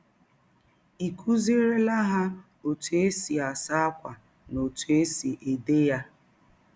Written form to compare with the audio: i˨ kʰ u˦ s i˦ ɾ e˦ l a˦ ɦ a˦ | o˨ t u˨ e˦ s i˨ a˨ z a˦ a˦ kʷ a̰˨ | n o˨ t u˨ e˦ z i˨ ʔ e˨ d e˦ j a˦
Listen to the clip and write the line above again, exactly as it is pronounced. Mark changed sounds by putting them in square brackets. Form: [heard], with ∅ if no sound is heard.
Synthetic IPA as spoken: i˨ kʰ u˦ [z] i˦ ɾ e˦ l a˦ ɦ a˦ | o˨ t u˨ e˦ s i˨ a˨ [s] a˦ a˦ kʷ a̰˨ | n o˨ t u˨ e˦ [s] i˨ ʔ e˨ d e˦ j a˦